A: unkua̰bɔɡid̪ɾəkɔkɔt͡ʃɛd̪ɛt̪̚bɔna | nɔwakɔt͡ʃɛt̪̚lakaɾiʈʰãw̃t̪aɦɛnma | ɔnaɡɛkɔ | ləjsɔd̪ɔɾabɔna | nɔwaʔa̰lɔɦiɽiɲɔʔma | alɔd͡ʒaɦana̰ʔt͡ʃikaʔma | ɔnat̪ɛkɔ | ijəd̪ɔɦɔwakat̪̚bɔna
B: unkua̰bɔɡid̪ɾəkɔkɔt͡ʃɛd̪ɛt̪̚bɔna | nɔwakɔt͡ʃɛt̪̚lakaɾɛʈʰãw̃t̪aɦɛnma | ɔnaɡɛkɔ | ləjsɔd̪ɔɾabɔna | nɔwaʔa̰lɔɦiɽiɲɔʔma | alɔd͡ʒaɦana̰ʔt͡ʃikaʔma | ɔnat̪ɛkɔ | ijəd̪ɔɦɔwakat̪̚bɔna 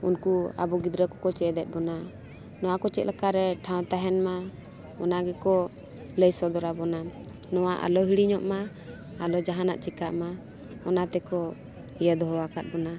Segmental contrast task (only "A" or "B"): B